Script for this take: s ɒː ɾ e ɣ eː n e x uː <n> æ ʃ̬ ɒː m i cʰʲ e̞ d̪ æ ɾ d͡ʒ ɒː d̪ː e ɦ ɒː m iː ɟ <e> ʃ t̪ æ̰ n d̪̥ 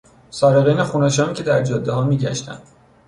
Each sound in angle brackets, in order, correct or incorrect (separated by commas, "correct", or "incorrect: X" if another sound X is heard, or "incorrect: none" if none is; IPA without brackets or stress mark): correct, incorrect: æ